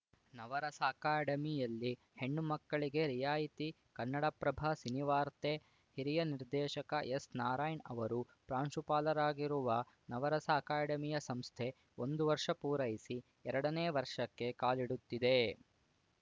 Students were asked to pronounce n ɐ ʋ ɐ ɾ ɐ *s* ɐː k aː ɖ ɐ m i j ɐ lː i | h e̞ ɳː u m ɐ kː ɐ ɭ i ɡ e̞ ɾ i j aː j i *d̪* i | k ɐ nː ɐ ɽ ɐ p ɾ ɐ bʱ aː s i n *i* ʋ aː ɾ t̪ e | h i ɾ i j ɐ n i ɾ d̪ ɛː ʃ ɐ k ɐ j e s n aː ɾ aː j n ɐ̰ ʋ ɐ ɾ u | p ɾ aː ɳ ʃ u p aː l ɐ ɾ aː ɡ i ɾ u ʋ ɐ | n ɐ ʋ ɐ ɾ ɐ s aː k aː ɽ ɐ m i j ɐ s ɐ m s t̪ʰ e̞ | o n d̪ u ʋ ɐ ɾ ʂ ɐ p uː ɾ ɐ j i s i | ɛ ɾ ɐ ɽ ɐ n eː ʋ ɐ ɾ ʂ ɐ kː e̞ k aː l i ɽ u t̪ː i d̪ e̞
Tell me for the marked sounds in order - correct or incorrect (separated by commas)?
correct, incorrect, correct